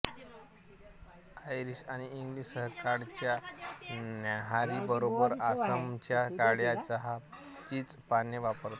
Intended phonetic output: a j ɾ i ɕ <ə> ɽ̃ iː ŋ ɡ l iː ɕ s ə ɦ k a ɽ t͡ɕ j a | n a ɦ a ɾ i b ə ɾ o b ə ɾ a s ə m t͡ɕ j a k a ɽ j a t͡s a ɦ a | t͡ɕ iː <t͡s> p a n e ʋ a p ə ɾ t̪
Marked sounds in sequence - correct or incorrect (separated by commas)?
incorrect, correct